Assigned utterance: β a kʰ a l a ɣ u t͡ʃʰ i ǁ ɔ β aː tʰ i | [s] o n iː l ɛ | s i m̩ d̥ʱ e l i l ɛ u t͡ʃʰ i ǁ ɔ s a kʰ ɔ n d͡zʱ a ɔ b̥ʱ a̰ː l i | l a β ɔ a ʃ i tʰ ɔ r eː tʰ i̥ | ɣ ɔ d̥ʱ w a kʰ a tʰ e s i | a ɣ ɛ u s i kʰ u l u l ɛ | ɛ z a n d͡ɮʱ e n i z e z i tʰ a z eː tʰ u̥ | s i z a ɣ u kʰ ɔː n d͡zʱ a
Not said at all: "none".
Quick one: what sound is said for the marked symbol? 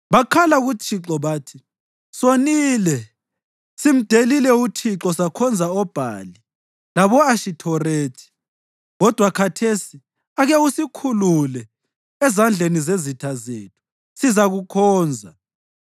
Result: s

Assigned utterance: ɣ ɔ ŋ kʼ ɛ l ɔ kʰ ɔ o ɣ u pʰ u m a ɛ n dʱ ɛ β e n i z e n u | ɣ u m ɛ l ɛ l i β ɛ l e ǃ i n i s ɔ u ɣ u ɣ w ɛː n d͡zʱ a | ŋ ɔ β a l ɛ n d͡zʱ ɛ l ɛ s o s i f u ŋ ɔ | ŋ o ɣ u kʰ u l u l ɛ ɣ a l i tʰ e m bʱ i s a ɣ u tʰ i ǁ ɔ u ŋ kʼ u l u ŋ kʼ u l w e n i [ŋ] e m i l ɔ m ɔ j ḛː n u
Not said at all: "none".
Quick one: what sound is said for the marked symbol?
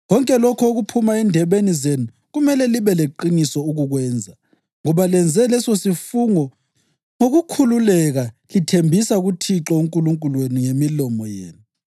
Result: ŋ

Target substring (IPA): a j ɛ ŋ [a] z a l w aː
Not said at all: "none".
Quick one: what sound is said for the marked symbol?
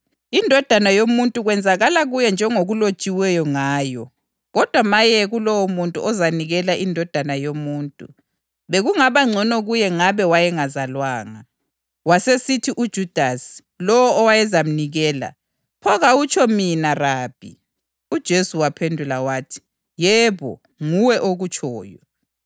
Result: a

